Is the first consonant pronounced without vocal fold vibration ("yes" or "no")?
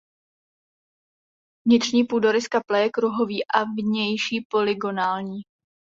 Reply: no